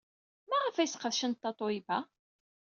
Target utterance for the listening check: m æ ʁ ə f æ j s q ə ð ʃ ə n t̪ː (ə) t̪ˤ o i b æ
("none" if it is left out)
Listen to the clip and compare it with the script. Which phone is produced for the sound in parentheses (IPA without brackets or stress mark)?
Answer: ɑ